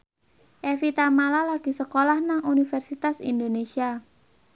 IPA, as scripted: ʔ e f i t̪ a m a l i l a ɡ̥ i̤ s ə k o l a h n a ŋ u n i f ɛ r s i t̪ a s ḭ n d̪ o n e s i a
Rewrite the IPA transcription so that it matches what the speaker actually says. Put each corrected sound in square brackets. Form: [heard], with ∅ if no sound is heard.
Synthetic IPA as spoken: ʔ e f i t̪ a m a l [a] l a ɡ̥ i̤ s ə k o l a h n a ŋ u n i f ɛ r s i t̪ a s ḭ n d̪ o n e s i a